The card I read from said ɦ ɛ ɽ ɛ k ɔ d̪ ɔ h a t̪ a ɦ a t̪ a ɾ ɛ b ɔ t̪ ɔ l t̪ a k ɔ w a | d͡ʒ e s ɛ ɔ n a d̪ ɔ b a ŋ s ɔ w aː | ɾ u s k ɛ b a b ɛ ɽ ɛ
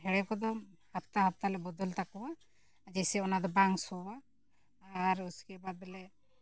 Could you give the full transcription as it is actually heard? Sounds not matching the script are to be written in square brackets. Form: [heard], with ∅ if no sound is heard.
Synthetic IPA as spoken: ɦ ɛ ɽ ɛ k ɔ d̪ ɔ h a t̪ a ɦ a t̪ a [l] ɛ b ɔ [d̪] ɔ l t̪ a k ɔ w a | d͡ʒ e s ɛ ɔ n a d̪ ɔ b a ŋ s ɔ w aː | ɾ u s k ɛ b a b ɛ [l] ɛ